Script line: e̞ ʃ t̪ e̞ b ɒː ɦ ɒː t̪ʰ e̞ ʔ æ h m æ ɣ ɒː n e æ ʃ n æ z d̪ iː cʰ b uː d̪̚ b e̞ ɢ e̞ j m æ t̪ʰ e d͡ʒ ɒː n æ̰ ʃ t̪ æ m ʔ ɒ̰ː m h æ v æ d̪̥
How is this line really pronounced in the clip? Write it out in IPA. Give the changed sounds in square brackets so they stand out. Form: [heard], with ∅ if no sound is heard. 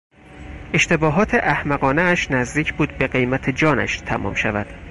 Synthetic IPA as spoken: e̞ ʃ t̪ e̞ b ɒː ɦ ɒː t̪ʰ e̞ ʔ æ h m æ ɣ ɒː n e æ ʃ n æ z d̪ iː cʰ b uː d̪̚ b e̞ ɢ e̞ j m æ t̪ʰ e d͡ʒ ɒː n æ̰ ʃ [t̪ʰ] æ m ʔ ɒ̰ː m [ʃ] æ v æ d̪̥